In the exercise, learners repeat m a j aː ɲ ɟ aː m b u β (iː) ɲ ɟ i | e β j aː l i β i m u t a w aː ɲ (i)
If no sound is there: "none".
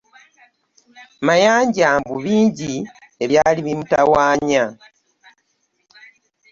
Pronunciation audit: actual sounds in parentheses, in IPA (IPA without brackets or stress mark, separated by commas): iː, a